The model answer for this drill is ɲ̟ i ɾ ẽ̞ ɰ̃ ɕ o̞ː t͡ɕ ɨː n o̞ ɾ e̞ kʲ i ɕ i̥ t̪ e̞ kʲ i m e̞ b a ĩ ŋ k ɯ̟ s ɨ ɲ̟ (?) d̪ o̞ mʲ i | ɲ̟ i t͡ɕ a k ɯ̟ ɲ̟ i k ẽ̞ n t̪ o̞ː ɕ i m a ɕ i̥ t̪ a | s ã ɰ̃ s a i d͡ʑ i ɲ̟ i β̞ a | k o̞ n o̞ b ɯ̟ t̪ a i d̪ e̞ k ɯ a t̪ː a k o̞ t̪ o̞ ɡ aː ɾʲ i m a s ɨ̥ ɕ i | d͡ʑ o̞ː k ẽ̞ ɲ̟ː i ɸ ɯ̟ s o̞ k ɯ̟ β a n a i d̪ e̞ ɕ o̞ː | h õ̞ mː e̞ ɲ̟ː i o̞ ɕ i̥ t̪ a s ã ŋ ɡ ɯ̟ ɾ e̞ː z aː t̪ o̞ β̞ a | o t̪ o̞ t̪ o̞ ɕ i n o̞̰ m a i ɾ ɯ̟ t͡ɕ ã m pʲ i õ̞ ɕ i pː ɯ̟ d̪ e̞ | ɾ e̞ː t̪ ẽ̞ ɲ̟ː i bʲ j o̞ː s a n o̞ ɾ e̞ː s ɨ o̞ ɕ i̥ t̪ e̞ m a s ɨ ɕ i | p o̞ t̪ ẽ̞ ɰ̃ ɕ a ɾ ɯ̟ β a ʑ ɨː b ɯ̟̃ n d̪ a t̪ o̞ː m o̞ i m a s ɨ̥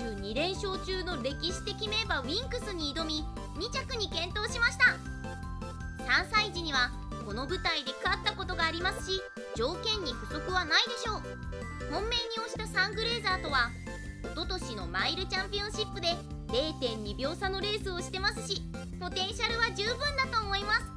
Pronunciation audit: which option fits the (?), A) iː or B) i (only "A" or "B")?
A